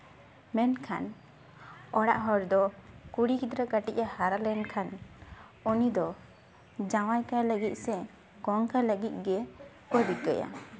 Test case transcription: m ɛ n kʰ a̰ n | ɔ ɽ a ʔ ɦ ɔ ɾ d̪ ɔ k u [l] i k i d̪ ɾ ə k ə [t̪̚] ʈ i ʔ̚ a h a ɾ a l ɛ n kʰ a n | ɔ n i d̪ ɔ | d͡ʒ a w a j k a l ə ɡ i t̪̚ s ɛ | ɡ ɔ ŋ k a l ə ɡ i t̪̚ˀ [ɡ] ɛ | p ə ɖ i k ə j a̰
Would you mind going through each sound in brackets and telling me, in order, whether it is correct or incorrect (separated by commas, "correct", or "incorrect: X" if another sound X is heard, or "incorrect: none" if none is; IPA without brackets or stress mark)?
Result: incorrect: ɽ, incorrect: none, correct